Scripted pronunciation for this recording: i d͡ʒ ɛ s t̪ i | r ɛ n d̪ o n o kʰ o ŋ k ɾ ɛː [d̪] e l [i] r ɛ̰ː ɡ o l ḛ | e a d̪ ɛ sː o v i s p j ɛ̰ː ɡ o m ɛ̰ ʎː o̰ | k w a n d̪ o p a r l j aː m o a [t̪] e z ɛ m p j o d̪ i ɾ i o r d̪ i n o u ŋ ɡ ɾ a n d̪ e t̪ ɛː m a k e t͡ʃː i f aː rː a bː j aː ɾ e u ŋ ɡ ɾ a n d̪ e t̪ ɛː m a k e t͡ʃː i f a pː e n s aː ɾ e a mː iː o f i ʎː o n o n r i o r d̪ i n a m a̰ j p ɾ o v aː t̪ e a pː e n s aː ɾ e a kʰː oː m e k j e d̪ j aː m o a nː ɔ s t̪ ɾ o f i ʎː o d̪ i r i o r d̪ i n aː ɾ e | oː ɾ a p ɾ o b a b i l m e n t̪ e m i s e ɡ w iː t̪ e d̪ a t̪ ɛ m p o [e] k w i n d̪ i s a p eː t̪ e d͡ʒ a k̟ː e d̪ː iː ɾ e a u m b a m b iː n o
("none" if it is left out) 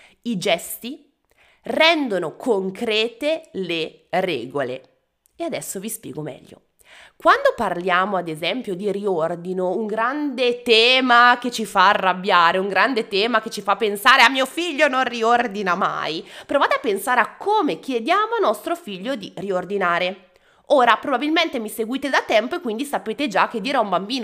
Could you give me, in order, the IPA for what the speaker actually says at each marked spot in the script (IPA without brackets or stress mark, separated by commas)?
t̪, e, d̪, e